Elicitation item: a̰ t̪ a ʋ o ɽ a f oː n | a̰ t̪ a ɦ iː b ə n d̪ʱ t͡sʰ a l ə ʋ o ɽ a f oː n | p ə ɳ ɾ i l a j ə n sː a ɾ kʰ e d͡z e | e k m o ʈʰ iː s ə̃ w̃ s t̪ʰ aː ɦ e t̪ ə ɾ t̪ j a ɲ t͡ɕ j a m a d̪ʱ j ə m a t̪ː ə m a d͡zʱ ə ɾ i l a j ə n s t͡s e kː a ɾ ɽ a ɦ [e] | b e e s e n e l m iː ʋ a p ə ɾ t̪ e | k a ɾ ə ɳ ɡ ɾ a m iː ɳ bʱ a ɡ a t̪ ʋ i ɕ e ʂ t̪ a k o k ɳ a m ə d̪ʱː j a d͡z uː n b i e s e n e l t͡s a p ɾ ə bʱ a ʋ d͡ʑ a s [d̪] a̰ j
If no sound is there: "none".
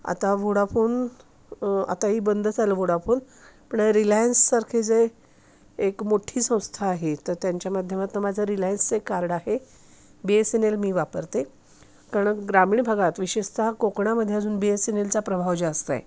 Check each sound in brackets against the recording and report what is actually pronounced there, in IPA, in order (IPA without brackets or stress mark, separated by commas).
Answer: e, t̪